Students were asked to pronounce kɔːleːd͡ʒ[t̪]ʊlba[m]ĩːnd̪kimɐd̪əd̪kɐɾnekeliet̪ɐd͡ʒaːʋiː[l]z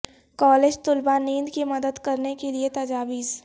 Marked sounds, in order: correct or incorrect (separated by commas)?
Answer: correct, incorrect, incorrect